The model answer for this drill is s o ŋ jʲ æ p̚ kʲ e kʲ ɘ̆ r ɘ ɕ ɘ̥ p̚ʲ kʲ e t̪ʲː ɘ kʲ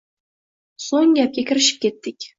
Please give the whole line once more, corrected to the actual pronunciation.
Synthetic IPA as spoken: s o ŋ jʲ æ p̚ kʲ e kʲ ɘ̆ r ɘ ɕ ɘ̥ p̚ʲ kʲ e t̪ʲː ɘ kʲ